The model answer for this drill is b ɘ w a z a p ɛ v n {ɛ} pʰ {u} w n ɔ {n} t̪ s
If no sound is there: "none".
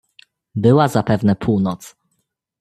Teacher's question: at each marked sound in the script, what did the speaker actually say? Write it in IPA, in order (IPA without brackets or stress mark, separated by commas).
ɛ, u, none